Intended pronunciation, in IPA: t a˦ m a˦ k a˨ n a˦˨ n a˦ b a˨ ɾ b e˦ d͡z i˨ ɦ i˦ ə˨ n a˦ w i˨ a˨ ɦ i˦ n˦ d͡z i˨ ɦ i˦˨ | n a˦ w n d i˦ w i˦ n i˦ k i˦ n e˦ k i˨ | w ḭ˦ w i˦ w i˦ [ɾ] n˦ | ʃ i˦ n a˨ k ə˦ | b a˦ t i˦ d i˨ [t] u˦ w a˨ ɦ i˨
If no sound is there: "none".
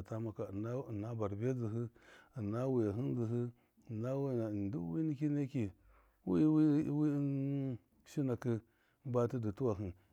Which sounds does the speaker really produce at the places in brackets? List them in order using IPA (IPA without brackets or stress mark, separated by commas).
none, t